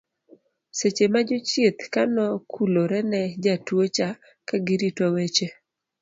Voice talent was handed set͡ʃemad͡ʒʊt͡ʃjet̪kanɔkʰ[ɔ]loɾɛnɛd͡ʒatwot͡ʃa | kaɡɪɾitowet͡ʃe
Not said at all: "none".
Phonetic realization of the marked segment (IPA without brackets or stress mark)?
u